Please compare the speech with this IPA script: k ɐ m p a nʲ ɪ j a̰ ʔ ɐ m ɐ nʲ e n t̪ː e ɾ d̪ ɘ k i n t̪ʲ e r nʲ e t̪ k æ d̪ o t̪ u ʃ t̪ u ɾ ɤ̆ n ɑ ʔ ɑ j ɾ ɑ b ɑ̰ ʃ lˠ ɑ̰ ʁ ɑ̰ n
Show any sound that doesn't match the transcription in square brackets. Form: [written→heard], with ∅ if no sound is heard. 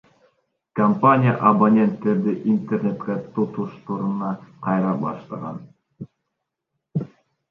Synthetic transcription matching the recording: k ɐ m p a nʲ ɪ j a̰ ʔ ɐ [m→b] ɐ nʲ e n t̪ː e ɾ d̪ ɘ [k→ʔ] i n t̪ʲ e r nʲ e t̪ k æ [d̪→t̪] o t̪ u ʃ t̪ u ɾ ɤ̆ n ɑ [ʔ→q] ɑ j ɾ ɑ b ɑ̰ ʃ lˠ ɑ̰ ʁ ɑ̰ n